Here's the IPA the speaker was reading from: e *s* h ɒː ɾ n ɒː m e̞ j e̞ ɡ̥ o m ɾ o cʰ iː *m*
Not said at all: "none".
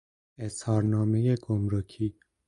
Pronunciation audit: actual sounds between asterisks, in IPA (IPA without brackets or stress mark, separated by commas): s, none